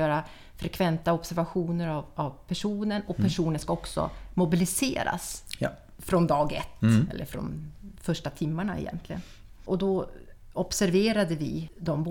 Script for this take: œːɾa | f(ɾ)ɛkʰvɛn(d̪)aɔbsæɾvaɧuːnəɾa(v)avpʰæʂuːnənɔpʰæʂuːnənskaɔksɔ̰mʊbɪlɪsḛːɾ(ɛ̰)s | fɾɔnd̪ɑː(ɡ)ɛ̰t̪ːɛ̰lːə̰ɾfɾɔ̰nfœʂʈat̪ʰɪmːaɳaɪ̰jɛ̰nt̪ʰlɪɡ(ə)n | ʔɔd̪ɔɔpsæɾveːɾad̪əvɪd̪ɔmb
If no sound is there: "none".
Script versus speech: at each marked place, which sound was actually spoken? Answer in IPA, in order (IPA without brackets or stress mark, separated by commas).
ɾ, t̪, v, a̰, ɡ, ə